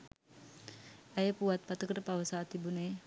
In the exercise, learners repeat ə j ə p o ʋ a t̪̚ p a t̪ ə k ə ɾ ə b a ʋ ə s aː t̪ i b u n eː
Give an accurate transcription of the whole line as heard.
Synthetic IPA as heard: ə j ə p u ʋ a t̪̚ p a t̪ ə k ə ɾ ə p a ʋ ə s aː t̪ i b u n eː